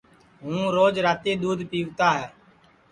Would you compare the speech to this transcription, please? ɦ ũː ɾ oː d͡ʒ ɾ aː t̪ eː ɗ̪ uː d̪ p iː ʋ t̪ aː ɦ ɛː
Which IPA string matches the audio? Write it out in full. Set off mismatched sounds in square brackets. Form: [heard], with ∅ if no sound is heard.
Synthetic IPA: ɦ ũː ɾ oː d͡ʒ ɾ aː t̪ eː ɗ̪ uː d̪ p iː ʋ t̪ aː ɦ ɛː